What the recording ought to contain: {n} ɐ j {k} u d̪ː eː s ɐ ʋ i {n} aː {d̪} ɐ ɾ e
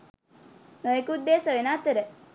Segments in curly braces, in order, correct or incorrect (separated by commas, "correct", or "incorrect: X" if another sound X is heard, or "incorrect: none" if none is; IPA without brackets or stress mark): correct, correct, correct, incorrect: t̪